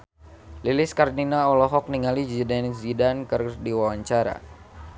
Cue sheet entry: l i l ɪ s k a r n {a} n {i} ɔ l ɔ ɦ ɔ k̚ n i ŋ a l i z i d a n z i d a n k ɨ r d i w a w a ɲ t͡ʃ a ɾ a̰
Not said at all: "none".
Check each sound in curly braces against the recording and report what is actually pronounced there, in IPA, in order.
i, a

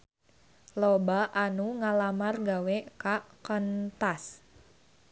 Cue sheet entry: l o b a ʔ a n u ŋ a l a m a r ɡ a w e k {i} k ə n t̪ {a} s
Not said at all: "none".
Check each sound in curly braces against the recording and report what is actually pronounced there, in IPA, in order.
a, a

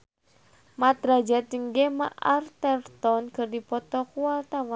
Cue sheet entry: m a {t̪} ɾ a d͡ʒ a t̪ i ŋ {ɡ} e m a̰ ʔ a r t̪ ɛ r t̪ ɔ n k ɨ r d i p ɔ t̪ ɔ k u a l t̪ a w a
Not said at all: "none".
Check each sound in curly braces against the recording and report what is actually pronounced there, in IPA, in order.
t̪, ɡ

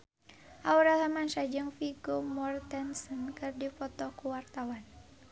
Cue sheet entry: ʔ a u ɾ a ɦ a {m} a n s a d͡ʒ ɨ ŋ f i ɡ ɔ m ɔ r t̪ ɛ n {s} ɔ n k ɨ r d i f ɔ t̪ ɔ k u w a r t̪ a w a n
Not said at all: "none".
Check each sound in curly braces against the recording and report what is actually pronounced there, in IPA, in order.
m, s

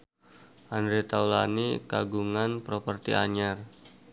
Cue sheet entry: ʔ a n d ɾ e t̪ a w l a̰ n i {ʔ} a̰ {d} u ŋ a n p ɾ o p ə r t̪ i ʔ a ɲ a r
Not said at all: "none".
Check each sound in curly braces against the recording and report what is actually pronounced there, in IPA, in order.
k, ɡ

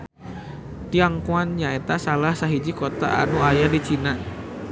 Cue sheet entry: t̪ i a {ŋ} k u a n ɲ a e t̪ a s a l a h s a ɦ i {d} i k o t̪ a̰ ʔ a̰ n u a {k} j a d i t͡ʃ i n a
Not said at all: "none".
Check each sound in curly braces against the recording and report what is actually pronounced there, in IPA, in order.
ŋ, d͡ʒ, none

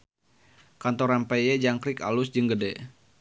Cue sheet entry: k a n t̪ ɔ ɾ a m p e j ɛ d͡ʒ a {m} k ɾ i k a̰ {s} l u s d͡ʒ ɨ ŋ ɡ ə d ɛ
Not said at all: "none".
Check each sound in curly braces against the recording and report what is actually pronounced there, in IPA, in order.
ŋ, none

